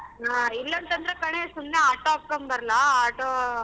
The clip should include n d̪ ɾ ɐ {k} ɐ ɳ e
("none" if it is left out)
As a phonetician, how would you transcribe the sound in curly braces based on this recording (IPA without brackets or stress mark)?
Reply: k